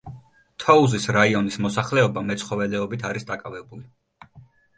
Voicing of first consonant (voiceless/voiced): voiceless